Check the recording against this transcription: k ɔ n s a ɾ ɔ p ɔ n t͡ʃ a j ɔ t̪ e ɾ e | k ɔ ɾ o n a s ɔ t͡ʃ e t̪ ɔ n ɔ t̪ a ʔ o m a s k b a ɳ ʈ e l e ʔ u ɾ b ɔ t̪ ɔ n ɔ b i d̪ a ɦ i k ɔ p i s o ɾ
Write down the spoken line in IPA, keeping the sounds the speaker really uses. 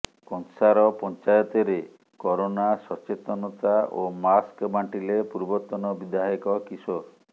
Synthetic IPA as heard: k ɔ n s a ɾ ɔ p ɔ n t͡ʃ a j ɔ t̪ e ɾ e | k ɔ ɾ o n a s ɔ t͡ʃ e t̪ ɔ n ɔ t̪ a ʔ o m a s k b a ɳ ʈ i l e p u ɾ b ɔ t̪ ɔ n ɔ b i d̪ a ɦ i k ɔ k i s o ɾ